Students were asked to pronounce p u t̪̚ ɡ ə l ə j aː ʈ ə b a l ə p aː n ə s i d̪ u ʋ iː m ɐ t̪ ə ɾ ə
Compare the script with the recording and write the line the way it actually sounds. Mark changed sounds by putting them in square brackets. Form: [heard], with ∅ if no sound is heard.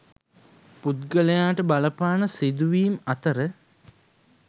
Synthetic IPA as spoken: p u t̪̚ ɡ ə l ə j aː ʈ ə b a l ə p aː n ə s i d̪ u ʋ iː m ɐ t̪ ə ɾ ə

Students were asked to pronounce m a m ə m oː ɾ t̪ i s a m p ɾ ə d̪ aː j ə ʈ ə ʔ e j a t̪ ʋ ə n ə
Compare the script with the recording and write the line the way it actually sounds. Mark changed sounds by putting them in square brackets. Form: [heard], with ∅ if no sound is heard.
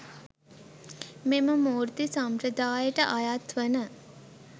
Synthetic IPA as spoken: m [e] m ə m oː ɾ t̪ i s a m p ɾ ə d̪ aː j ə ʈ ə ʔ [a] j a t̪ ʋ ə n ə

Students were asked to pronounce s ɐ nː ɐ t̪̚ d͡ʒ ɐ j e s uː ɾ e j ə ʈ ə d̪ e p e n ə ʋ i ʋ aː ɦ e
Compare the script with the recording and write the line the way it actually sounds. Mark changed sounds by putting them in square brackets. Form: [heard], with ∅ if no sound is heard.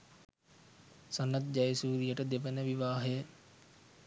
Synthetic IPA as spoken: s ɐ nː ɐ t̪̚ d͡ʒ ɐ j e s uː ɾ [i] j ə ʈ ə d̪ e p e n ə ʋ i ʋ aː ɦ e

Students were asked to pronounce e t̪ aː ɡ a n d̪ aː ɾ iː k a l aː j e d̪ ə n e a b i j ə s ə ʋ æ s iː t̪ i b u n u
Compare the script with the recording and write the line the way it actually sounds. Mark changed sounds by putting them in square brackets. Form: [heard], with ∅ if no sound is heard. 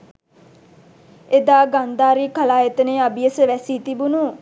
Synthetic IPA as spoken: e [d̪] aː ɡ a n d̪ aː ɾ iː k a l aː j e [t̪] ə n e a b i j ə s ə ʋ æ s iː t̪ i b u n u

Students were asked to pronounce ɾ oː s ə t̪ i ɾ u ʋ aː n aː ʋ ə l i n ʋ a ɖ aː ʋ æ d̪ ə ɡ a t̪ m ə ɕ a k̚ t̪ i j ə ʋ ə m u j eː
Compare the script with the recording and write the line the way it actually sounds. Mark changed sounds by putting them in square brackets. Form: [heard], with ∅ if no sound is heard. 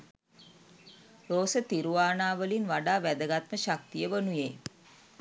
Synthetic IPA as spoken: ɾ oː s ə t̪ i ɾ u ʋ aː n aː ʋ ə l i n ʋ a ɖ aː ʋ æ d̪ ə ɡ a t̪ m ə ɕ a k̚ t̪ i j ə ʋ ə [n] u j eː

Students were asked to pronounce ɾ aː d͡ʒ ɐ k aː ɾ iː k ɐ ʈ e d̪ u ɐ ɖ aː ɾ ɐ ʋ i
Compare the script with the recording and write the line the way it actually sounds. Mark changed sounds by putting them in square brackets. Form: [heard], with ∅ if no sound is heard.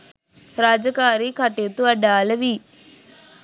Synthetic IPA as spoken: ɾ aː d͡ʒ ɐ k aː ɾ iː k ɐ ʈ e [t̪] u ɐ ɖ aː [l] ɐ ʋ i

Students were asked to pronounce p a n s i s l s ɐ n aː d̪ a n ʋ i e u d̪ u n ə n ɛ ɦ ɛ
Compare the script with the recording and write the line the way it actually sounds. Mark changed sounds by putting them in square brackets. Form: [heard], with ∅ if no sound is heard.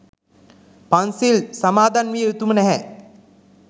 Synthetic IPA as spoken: p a n s i [∅] l s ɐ [m] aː d̪ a n ʋ i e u [t̪] u [m] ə n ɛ ɦ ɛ

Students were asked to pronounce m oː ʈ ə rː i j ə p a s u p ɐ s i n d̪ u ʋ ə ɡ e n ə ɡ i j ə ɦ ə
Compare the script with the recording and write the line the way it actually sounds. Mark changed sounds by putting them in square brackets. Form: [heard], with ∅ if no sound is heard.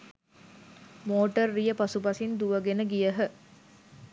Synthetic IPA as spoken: m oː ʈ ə rː i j ə p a s u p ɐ s i n d̪ u ʋ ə ɡ e n ə ɡ i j ə ɦ ə

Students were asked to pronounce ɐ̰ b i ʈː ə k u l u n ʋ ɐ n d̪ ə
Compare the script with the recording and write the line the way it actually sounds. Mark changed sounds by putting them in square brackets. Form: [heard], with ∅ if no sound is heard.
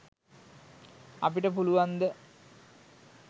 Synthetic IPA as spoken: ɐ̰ [p] i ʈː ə [p] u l u [∅] ʋ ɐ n d̪ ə

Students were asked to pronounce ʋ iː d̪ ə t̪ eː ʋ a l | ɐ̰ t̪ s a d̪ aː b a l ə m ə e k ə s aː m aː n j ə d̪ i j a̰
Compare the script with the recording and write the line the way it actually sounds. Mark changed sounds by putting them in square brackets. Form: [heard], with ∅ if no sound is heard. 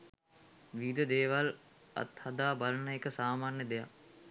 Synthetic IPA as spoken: ʋ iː d̪ ə [d̪] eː ʋ a l | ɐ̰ t̪ [h] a d̪ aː b a l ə [n] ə e k ə s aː m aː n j ə d̪ [e] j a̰

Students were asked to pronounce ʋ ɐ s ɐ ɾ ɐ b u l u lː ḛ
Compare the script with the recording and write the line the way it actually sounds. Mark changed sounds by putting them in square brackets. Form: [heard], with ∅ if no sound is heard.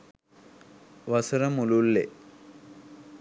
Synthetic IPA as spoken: ʋ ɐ s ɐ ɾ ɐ [m] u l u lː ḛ

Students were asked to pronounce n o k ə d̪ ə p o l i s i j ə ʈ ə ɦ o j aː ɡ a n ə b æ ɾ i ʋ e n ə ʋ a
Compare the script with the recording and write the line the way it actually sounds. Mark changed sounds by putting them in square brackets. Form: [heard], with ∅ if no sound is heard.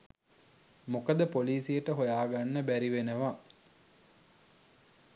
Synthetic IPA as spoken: [m] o k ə d̪ ə p o l [iː] s i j ə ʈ ə ɦ o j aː ɡ a [nː] ə b æ ɾ i ʋ e n ə ʋ a

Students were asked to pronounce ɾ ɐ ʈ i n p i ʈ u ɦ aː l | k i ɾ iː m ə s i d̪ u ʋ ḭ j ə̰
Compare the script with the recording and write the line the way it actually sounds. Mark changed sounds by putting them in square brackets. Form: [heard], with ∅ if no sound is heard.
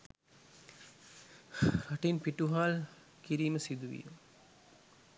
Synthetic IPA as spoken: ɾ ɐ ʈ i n p i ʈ u ɦ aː l | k i ɾ iː m ə s i d̪ u ʋ ḭ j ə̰

